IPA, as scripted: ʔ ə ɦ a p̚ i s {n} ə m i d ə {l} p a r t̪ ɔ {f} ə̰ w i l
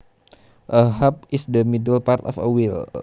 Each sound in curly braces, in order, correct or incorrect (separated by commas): incorrect, correct, correct